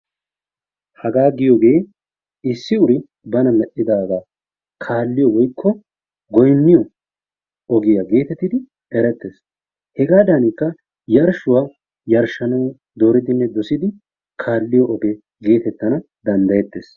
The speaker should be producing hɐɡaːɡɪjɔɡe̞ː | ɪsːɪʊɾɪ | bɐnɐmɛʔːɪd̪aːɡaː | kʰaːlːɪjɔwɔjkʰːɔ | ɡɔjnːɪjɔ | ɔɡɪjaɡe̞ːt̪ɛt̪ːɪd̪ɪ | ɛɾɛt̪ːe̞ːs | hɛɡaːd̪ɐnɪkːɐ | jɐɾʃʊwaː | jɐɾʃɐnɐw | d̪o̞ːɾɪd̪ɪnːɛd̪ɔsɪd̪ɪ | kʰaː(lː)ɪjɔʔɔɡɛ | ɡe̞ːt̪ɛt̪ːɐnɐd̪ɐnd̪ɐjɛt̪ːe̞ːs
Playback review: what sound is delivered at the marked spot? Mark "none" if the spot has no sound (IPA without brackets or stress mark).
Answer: lː